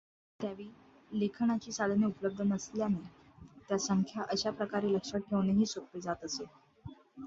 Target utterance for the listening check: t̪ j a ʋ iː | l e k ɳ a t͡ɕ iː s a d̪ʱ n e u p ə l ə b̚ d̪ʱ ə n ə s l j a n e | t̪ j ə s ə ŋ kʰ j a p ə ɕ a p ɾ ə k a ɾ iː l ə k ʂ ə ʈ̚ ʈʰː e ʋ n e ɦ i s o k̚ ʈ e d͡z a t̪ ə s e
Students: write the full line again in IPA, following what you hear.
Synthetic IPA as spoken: t̪ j a ʋ iː | l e kʰ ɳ a t͡ɕ iː s a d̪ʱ n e u p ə l ə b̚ d̪ʱ ə n ə s l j a n e | t̪ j a s ə ŋ kʰ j a ʔ ə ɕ a p ɾ ə k a ɾ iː l ə k ʂ ə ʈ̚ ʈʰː e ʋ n e ɦ iː s o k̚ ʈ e d͡z a t̪ ə s e